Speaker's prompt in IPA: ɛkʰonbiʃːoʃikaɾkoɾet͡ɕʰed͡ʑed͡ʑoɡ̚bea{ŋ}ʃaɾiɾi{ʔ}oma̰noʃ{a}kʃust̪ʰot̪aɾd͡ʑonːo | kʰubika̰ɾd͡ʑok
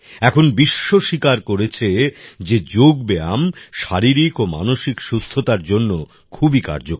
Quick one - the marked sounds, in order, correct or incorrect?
incorrect: m, incorrect: k, incorrect: i

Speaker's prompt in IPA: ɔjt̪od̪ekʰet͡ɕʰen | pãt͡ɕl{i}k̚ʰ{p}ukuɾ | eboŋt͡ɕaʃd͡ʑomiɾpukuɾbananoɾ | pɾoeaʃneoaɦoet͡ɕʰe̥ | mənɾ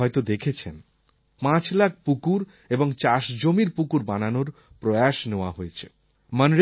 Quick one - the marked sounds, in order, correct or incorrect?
incorrect: a, correct

